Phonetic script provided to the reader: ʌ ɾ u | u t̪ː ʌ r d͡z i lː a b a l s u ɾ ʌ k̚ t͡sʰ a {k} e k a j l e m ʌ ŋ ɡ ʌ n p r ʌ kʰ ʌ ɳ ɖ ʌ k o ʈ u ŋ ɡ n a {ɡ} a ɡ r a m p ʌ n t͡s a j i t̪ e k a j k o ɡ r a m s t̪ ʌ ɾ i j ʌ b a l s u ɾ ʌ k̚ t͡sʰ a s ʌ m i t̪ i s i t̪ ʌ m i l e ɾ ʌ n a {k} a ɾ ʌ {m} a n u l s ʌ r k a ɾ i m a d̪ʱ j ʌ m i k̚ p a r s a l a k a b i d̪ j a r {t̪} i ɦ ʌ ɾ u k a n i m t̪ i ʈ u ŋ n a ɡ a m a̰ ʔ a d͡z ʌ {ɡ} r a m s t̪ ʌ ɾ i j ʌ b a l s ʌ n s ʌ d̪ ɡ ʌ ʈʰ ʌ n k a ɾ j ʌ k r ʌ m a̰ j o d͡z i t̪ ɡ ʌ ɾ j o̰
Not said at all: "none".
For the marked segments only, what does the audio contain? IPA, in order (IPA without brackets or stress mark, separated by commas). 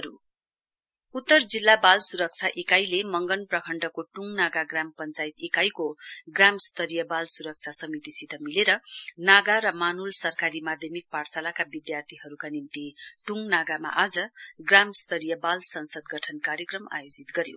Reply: ʔ, ɡ, ɡ, m, t̪ʰ, ɡ